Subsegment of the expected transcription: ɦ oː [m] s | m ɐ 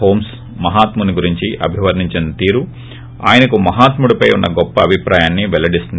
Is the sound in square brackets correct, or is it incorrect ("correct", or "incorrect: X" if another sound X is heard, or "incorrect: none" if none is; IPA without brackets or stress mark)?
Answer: correct